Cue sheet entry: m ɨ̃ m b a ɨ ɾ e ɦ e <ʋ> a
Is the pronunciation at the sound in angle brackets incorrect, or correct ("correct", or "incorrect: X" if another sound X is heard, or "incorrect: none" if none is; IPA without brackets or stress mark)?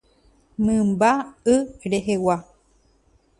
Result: incorrect: w